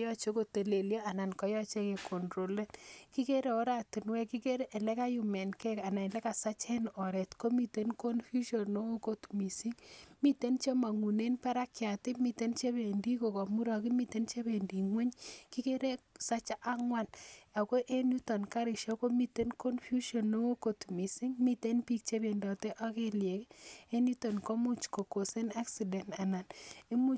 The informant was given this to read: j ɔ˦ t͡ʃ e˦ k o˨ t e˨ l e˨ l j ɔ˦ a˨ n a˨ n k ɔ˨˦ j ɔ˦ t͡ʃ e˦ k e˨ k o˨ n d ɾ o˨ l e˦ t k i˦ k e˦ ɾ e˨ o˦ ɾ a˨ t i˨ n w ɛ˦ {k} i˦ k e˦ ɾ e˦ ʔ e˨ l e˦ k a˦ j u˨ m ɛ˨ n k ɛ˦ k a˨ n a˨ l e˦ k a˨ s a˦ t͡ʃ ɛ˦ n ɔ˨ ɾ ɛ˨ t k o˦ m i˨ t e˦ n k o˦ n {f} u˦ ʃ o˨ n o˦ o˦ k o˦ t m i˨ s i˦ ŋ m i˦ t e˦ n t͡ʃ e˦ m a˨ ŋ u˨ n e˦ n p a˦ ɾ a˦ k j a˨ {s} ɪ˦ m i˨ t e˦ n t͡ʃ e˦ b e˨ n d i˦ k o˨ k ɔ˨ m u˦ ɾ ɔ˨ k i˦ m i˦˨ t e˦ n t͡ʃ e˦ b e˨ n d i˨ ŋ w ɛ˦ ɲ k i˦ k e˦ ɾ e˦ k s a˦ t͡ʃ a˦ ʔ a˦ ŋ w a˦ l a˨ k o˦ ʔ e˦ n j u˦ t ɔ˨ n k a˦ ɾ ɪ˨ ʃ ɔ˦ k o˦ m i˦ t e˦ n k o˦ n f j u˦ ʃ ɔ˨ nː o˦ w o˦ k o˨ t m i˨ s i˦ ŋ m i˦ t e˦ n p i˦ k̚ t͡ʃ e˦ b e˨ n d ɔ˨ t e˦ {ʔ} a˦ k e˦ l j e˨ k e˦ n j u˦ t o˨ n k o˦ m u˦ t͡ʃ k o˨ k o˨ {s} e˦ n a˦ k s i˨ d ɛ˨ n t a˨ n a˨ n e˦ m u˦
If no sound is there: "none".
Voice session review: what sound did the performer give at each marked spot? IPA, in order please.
k, f, t, ʔ, s

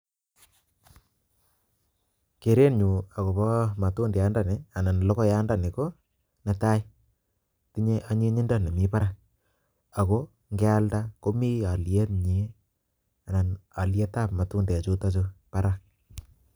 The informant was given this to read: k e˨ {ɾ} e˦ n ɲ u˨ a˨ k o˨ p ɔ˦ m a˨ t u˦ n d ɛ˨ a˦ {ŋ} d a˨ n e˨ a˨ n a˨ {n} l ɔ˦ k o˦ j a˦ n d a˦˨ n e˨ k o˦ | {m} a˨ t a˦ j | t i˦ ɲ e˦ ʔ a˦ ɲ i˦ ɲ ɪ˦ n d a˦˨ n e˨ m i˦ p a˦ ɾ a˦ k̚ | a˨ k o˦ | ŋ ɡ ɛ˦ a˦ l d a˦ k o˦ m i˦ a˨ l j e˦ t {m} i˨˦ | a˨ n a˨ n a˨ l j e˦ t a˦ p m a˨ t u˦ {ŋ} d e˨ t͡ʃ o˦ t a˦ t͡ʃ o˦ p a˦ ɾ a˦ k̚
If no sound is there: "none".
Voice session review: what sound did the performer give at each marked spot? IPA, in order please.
ɾ, n, n, n, ɲ, n

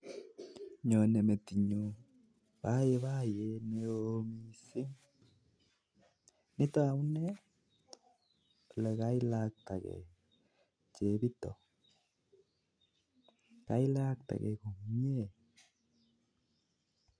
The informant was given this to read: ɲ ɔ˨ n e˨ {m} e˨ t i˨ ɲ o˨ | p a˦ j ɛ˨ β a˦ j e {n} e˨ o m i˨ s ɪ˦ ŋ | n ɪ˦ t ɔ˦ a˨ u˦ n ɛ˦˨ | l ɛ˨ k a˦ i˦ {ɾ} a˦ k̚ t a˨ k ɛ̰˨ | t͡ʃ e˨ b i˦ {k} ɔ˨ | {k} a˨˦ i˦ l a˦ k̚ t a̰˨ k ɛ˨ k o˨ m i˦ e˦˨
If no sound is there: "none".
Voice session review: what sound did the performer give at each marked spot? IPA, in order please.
m, n, l, t, k

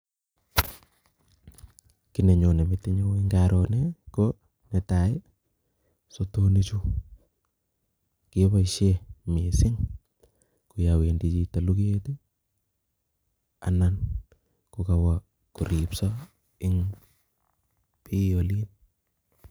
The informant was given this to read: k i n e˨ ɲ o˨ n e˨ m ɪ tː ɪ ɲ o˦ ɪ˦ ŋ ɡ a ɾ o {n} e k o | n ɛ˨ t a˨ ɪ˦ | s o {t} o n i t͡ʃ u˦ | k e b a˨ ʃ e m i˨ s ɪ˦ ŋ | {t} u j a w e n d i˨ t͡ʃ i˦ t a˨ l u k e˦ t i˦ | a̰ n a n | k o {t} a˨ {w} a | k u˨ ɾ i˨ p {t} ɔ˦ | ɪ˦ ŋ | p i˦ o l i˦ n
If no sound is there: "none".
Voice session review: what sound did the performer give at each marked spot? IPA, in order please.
n, t, k, k, w, s

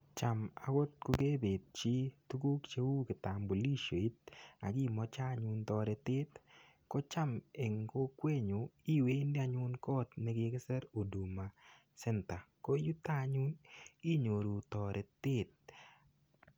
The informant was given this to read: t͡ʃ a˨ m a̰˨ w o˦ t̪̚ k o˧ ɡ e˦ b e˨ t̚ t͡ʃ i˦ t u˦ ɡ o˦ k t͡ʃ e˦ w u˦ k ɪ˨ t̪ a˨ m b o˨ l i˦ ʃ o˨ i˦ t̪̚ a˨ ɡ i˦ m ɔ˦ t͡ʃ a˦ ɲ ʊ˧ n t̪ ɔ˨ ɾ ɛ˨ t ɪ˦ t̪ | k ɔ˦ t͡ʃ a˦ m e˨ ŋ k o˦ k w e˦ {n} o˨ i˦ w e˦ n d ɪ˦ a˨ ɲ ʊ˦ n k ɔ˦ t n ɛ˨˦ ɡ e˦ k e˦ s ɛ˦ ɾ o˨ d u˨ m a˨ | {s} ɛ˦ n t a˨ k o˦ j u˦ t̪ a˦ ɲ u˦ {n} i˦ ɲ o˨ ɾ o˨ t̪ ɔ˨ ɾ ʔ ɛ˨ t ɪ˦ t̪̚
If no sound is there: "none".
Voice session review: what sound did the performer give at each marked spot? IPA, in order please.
ɲ, s, n

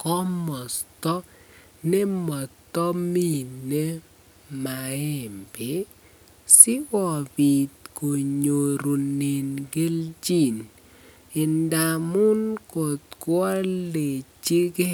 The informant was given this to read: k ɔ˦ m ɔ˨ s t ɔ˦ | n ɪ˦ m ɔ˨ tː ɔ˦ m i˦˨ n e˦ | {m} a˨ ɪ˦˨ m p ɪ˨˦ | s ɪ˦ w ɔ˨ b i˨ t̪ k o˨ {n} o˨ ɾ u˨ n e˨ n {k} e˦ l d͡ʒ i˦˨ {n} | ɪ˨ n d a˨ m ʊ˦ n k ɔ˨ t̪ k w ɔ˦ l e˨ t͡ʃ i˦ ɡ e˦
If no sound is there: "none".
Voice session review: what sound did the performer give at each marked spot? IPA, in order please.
m, ɲ, ɡ, n

